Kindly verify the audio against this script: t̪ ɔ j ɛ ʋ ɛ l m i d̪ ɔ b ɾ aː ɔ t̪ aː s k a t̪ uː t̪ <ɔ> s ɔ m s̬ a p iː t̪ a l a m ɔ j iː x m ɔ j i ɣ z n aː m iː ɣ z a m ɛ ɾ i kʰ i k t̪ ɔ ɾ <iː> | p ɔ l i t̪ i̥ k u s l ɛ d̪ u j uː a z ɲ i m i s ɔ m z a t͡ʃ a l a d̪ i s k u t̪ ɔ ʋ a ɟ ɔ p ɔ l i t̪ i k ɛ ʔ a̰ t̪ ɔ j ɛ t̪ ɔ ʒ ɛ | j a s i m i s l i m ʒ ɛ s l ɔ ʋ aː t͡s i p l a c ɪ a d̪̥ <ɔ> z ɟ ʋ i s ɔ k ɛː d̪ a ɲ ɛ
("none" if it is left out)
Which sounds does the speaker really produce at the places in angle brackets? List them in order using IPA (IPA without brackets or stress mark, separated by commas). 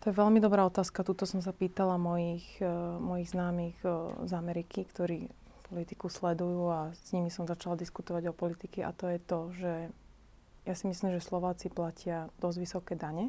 ɔ, iː, ɔ